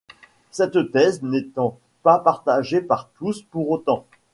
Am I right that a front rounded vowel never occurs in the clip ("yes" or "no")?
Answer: yes